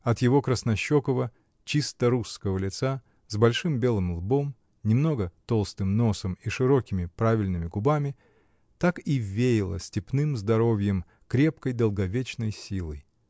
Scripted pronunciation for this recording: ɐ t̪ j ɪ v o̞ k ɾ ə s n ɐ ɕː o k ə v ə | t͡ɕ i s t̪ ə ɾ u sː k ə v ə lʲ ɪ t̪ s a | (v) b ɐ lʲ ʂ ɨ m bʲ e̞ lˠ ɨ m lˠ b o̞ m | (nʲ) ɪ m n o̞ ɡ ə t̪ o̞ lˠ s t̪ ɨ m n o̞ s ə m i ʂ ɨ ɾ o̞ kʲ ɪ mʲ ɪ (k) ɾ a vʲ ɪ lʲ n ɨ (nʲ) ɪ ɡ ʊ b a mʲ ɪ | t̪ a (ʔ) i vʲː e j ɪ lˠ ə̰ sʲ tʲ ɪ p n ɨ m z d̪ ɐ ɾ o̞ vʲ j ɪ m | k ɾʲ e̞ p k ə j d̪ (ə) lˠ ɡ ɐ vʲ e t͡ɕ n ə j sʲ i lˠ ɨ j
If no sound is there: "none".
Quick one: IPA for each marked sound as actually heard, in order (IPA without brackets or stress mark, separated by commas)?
z, nʲ, p, mʲ, k, ə